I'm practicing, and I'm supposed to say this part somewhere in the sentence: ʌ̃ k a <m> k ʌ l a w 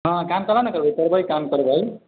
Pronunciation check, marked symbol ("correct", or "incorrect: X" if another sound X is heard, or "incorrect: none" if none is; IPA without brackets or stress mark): correct